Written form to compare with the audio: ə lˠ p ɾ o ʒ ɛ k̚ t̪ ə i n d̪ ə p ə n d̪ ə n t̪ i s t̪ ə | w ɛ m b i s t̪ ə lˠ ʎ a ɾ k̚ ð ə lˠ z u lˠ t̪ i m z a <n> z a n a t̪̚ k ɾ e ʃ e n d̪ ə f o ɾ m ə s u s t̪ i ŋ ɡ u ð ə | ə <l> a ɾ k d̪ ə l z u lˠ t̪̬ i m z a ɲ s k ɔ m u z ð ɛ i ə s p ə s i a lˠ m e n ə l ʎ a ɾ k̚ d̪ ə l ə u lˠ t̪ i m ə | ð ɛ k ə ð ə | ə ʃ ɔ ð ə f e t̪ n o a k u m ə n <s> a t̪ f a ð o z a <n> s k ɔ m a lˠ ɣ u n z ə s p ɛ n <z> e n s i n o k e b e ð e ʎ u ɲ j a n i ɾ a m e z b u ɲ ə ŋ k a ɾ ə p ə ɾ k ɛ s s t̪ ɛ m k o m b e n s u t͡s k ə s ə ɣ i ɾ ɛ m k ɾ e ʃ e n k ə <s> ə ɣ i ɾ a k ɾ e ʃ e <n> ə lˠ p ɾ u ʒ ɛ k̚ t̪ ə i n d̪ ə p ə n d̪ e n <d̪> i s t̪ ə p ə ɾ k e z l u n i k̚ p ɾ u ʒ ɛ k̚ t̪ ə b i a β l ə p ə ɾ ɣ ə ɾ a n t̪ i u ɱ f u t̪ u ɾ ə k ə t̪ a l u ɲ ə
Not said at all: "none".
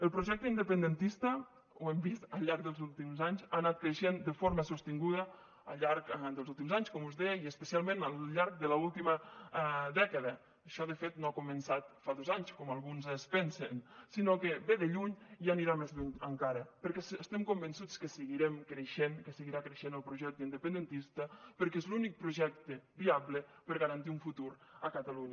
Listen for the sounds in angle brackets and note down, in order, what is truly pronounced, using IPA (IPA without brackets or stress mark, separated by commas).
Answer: ɲ, ʎ, s, ɲ, s, s, n, t̪